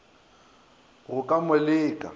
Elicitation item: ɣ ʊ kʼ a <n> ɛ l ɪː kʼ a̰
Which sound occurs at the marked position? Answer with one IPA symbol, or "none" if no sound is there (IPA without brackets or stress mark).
m